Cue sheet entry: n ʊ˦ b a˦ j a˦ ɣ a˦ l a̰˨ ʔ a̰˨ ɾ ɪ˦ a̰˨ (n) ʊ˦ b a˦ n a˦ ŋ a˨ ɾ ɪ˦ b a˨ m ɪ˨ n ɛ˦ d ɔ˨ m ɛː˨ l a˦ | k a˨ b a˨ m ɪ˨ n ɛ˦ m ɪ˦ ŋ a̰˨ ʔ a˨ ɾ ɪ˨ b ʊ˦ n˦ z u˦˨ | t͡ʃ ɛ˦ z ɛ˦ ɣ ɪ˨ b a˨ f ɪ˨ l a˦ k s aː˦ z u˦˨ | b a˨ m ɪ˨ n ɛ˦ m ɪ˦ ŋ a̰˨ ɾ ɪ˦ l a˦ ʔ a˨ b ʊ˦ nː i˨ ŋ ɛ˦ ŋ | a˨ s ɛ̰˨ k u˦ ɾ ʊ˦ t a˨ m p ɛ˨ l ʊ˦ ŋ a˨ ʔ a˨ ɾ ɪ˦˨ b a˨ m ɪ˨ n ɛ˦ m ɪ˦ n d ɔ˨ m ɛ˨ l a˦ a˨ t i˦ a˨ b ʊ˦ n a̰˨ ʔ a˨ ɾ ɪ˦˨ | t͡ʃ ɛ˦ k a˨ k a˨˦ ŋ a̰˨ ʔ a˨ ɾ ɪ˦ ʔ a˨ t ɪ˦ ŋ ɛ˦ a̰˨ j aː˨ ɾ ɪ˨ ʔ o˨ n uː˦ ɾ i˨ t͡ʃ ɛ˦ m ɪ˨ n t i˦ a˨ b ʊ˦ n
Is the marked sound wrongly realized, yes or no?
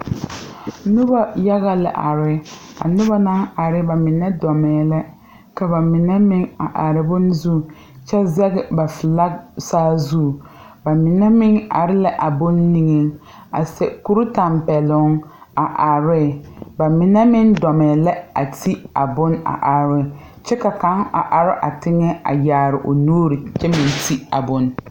no